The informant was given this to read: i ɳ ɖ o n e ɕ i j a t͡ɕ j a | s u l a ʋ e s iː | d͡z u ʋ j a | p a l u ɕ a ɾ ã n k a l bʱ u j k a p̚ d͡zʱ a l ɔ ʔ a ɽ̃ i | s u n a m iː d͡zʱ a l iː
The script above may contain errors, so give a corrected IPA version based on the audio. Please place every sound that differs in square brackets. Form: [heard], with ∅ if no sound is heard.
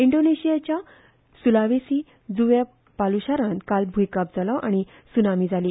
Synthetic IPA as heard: i ɳ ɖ o n e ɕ i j a t͡ɕ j a | s u l a ʋ e s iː | d͡z u ʋ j a | p a l u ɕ a ɾ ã n k a l bʱ u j k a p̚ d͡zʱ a l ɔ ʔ a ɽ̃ i | s u n a m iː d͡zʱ a l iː